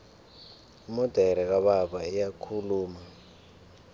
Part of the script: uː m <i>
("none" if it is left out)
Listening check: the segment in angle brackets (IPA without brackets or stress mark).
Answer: a